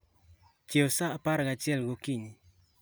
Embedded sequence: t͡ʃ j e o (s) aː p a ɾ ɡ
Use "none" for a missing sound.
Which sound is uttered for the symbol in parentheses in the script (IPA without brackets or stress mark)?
s